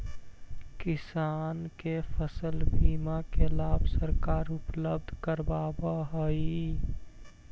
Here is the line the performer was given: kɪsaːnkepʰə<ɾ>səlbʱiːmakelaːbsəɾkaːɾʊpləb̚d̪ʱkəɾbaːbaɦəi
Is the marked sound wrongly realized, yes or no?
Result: yes